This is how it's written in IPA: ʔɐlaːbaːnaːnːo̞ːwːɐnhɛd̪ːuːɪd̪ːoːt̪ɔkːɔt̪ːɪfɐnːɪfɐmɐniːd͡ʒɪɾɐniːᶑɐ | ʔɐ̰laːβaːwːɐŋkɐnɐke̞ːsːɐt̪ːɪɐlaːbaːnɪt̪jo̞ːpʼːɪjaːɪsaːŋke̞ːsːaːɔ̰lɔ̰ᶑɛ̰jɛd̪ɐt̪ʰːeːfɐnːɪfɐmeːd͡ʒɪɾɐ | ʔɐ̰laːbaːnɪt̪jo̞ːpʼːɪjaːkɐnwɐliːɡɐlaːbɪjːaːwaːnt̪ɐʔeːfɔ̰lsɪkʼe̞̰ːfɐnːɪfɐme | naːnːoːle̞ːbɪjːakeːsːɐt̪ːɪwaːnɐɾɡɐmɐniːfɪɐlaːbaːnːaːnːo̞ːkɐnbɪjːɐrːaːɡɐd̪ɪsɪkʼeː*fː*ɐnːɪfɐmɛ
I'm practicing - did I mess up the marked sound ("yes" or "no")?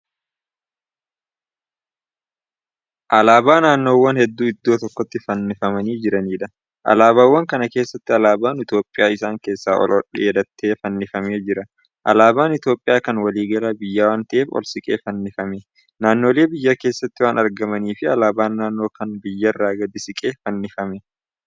yes